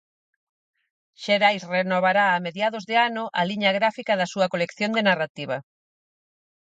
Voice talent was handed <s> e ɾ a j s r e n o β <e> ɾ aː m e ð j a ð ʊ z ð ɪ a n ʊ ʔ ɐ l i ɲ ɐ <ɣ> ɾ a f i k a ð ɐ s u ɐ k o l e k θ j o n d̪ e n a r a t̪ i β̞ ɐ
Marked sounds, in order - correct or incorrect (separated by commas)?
incorrect, incorrect, correct